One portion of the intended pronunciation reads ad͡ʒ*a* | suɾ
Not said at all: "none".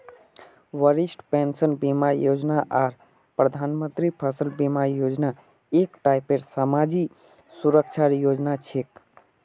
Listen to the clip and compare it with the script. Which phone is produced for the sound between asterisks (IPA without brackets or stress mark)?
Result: i